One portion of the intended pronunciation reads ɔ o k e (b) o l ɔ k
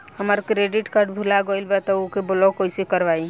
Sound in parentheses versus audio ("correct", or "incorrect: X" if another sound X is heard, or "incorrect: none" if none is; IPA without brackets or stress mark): correct